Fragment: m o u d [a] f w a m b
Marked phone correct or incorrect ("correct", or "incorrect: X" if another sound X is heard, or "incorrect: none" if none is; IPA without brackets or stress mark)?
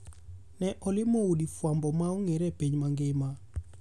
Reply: incorrect: i